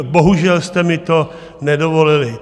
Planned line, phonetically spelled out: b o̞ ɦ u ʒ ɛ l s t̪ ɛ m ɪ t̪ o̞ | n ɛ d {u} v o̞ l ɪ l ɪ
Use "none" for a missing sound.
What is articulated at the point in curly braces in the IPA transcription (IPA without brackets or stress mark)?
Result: o